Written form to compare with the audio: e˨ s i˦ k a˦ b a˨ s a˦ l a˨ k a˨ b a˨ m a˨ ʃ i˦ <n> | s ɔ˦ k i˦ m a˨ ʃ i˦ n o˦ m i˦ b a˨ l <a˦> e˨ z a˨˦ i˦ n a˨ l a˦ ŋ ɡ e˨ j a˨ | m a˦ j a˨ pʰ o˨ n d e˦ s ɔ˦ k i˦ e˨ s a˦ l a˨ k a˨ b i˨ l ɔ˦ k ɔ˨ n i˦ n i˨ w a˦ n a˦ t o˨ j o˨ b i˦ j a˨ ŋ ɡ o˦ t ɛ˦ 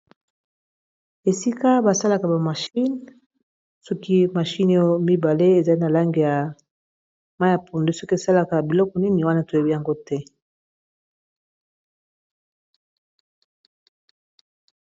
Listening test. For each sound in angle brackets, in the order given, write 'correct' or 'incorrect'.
correct, incorrect: e˦

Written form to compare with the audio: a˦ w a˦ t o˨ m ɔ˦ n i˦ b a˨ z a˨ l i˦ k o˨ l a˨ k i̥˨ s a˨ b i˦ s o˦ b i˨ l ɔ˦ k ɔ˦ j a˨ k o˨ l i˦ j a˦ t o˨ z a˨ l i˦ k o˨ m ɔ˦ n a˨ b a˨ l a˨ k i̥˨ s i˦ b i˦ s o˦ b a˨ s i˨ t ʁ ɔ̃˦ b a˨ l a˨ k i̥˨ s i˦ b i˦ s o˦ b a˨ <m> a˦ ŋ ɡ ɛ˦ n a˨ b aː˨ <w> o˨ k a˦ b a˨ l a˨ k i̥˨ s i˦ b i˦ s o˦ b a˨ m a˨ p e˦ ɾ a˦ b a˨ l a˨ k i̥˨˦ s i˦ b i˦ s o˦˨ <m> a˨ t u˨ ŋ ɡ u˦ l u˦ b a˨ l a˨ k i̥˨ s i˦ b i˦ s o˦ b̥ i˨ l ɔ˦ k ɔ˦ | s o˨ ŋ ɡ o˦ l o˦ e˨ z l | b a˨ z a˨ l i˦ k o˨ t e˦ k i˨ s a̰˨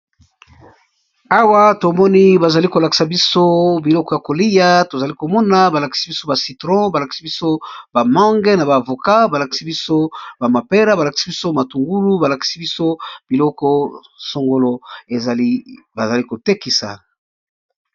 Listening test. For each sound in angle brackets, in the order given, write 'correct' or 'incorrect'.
correct, incorrect: v, correct

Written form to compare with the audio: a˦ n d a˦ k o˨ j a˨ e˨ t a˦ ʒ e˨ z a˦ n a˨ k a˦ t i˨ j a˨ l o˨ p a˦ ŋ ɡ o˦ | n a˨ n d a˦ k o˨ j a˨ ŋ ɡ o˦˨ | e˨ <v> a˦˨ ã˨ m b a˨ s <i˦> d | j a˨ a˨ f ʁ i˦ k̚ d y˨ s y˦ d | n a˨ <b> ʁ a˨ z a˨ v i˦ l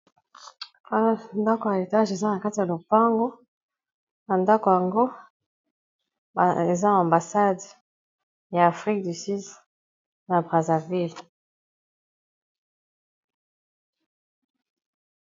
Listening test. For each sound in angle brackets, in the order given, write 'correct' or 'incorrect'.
incorrect: z, incorrect: a˦, correct

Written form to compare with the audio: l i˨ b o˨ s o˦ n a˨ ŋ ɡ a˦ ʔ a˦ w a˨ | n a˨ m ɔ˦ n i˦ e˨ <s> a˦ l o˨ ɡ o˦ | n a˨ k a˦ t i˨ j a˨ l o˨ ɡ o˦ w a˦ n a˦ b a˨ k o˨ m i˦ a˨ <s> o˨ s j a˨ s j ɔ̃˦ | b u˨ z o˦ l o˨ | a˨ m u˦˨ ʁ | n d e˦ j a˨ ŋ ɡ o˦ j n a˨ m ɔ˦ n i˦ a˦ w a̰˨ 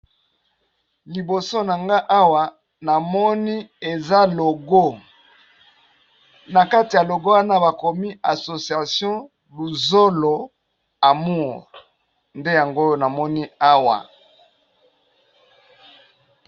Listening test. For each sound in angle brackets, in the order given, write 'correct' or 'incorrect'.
incorrect: z, correct

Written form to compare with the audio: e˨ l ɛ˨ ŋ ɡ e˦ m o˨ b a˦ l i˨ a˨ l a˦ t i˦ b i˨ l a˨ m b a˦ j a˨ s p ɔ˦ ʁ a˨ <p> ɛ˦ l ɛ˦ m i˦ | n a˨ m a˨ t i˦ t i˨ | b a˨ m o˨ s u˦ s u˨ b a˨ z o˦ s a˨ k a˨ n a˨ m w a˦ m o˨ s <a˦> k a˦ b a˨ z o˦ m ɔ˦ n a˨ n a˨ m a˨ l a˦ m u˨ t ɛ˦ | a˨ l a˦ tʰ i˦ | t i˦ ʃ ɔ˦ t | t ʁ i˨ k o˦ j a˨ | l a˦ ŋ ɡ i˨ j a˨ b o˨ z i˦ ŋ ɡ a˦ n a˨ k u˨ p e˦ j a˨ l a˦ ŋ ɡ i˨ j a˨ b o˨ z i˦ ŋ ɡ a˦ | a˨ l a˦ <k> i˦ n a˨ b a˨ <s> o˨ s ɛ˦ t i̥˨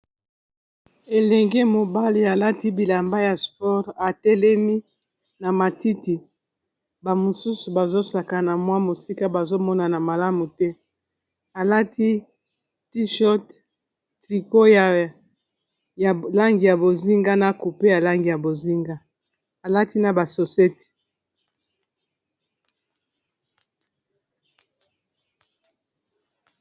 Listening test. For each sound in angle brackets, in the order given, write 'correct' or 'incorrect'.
incorrect: t, incorrect: i˦, incorrect: t, correct

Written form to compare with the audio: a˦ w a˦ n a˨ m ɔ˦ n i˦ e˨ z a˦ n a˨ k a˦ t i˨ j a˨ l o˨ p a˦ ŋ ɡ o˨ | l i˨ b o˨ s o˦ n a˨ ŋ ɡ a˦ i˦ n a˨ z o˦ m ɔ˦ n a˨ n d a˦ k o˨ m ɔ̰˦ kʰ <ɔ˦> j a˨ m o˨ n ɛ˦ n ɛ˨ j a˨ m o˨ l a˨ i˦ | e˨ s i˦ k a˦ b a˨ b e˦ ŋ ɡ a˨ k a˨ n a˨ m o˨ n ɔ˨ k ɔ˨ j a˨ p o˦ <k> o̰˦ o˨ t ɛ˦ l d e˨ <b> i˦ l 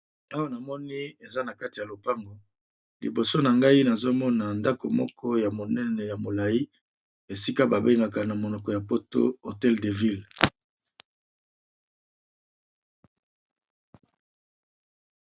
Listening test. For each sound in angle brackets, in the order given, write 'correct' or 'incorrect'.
correct, incorrect: t, incorrect: v

